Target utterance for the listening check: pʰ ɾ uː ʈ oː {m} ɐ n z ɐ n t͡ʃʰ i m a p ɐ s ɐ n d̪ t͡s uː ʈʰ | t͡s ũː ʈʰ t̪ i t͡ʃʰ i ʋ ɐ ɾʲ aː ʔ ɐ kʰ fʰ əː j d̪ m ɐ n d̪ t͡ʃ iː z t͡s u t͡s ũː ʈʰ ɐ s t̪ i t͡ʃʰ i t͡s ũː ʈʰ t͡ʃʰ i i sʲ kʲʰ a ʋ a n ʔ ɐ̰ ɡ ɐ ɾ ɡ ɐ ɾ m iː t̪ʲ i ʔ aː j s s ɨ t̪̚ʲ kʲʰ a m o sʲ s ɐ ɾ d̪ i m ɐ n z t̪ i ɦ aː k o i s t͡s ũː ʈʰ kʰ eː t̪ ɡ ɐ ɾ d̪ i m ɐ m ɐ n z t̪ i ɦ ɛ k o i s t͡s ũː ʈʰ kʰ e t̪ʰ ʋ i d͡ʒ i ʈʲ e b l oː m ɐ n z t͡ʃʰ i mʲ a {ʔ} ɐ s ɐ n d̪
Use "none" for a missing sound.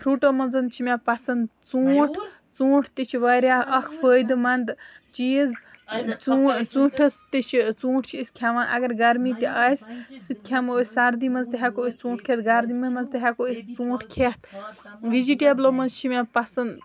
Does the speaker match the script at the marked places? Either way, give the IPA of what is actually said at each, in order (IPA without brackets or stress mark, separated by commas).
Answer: m, p